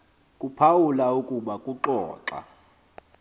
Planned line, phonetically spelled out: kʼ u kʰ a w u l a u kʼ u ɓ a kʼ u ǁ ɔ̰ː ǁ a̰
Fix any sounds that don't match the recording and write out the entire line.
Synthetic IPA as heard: kʼ u pʰ a w u l a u kʼ u ɓ a kʼ u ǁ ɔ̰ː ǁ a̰

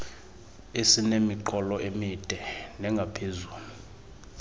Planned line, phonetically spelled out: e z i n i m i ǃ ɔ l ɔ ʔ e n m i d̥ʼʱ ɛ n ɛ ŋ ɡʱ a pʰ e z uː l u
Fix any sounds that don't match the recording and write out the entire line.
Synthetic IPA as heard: e s i n e m i ǃ ɔ l ɔ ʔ e m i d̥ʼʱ ɛ n ɛ ŋ ɡʱ a pʰ e z uː l u

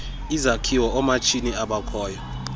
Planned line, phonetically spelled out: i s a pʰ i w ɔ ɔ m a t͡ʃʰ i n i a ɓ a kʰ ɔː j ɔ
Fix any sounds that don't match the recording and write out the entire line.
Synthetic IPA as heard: i z a kʰ i w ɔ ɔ m a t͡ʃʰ i n i a ɓ a kʰ ɔː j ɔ

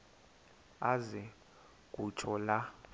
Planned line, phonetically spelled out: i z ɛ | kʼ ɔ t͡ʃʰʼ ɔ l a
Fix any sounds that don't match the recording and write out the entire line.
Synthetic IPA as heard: a z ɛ | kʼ u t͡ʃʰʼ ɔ l a

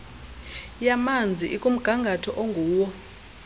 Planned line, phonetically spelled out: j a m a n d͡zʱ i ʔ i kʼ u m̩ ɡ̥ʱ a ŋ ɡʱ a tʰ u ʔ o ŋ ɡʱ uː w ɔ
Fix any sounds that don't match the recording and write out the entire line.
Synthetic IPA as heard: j a m a n d͡zʱ i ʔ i kʼ u m̩ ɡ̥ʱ a ŋ ɡʱ a tʰ ɔ ʔ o ŋ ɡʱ uː w ɔ

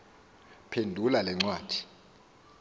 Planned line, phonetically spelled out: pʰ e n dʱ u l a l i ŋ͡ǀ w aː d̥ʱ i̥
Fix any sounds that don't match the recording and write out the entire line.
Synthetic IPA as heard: pʰ e n dʱ u l a l ɛ ŋ͡ǀ w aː d̥ʱ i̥

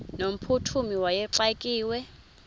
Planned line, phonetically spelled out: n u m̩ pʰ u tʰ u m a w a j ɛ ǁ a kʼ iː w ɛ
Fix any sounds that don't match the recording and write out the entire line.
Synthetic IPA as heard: n o m̩ pʰ u tʰ u m i w a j ɛ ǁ a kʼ iː w ɛ

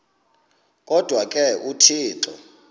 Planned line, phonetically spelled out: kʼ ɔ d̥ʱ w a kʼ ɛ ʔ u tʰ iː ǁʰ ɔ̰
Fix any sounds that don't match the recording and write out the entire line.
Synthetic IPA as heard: kʼ ɔ d̥ʱ w a kʼ ɛ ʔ u tʰ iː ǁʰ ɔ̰

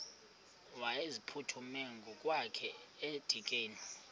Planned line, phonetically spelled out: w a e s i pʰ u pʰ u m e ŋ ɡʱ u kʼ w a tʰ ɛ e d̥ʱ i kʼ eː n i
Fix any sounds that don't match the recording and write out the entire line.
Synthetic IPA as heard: w a e z i pʰ u tʰ u m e ŋ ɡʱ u kʼ w a kʰ ɛ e d̥ʱ i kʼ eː n i

